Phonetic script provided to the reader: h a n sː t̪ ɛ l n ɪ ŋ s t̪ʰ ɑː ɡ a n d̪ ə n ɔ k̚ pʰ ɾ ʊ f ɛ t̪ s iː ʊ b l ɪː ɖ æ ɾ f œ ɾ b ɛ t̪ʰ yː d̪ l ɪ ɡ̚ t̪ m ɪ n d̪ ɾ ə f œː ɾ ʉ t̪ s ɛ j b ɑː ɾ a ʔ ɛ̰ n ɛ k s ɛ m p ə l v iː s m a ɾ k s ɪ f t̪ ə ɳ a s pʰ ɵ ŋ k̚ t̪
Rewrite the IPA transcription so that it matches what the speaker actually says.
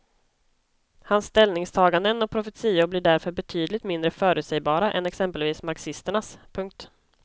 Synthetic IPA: h a n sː t̪ ɛ l n ɪ ŋ s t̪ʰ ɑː ɡ a n d̪ ə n ɔ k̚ pʰ ɾ ʊ f ɛ t̪ s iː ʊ b l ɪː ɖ æ ɾ f œ ɾ b ɛ t̪ʰ yː d̪ l ɪ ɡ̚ t̪ m ɪ n d̪ ɾ ə f œː ɾ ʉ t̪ s ɛ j b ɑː ɾ a ʔ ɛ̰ n ɛ k s ɛ m p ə l v iː s m a ɾ k s ɪ s t̪ ə ɳ a s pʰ ɵ ŋ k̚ t̪